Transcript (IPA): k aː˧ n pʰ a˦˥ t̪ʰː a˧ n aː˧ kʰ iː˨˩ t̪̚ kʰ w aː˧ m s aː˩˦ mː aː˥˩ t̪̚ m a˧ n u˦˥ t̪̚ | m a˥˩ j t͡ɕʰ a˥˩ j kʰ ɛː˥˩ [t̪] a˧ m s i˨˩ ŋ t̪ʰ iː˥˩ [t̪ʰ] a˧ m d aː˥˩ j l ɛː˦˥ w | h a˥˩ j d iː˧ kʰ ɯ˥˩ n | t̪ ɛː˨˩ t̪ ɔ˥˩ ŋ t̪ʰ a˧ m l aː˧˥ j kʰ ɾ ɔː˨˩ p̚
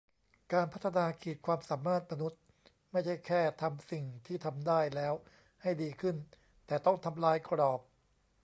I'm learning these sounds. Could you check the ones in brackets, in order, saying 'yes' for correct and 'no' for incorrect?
no, yes

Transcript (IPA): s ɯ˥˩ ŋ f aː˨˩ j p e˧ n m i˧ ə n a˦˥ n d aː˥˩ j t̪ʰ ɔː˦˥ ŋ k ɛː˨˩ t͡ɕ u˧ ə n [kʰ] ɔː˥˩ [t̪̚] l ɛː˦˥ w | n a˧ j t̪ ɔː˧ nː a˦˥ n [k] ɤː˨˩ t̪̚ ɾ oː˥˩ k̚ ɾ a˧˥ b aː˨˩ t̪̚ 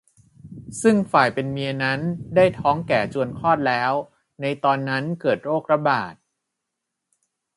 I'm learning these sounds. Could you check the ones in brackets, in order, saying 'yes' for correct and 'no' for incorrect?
yes, yes, yes

